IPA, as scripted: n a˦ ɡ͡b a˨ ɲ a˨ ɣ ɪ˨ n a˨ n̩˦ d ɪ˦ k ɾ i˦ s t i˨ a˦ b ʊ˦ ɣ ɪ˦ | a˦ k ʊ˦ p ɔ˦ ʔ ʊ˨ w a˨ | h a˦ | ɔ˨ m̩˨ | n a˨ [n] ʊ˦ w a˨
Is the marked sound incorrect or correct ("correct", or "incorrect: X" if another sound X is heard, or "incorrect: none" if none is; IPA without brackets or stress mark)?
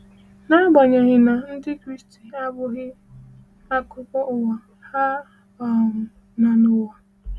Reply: correct